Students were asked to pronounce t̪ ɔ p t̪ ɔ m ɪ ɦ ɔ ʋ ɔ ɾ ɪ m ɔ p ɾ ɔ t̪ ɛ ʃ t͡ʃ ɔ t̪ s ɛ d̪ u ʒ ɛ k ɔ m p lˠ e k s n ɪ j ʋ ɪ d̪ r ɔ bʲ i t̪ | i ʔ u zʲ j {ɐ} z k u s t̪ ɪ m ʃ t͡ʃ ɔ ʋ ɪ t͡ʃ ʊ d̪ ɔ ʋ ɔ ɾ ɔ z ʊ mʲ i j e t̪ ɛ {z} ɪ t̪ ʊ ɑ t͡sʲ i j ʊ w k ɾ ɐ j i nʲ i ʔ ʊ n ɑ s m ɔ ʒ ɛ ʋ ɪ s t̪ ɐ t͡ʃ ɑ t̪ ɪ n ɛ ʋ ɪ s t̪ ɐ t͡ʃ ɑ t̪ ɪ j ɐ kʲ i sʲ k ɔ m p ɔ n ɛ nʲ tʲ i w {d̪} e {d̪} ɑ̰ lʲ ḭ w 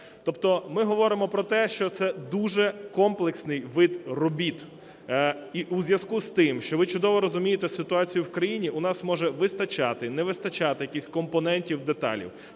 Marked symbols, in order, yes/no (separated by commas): yes, no, yes, no